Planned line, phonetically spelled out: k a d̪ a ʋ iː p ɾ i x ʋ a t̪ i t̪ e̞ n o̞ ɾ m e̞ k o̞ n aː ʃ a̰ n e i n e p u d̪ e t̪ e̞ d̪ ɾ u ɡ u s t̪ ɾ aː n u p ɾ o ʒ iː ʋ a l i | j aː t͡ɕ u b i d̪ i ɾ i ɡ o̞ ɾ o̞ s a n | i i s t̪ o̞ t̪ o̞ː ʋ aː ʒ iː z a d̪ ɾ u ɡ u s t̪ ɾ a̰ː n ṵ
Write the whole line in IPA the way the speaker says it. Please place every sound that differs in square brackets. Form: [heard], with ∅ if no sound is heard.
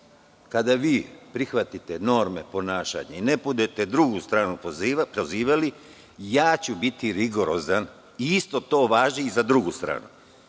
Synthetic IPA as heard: k a d̪ a ʋ iː p ɾ i x ʋ a t̪ i t̪ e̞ n o̞ ɾ m e̞ [p] o̞ n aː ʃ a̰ [ɲ] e i n e p u d̪ e t̪ e̞ d̪ ɾ u ɡ u s t̪ ɾ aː n u p ɾ o [z] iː ʋ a l i | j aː t͡ɕ u b i [t̪] i ɾ i ɡ o̞ ɾ o̞ [z] a n | i i s t̪ o̞ t̪ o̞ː ʋ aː ʒ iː z a d̪ ɾ u ɡ u s t̪ ɾ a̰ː n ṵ